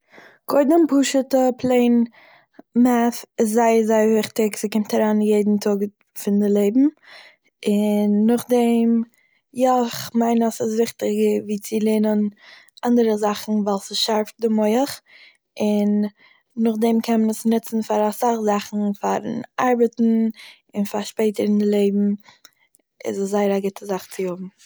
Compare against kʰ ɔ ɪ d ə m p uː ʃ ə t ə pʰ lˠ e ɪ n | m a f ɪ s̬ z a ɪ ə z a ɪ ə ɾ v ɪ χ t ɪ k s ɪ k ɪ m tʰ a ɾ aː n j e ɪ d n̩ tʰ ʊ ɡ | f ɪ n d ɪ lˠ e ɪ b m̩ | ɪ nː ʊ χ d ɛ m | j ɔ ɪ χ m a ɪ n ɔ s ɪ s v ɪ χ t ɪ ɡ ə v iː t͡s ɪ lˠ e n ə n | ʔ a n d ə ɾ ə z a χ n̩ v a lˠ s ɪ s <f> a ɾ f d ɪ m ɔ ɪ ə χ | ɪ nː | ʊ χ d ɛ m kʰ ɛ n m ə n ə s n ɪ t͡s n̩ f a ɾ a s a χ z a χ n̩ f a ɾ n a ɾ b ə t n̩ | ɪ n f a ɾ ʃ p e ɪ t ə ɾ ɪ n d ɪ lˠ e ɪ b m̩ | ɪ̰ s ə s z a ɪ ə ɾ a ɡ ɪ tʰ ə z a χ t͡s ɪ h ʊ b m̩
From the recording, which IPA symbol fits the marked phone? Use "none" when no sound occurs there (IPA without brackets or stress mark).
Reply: ʃ